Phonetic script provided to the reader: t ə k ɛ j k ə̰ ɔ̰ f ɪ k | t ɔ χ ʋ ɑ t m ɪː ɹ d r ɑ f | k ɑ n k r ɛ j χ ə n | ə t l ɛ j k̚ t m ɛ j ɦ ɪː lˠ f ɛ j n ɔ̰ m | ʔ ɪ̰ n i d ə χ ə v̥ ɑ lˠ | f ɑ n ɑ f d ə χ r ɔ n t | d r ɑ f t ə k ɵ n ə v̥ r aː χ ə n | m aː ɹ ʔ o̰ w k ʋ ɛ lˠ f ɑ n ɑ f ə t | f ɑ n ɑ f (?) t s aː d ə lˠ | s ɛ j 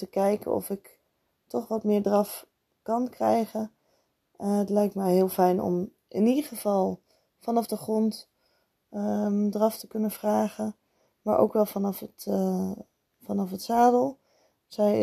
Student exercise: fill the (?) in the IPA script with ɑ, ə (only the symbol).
ə